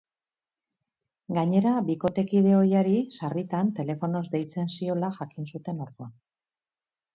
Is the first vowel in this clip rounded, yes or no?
no